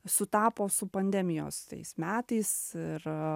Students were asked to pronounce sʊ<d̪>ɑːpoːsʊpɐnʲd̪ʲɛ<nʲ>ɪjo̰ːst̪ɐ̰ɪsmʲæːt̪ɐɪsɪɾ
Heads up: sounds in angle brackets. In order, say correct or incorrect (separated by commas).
incorrect, incorrect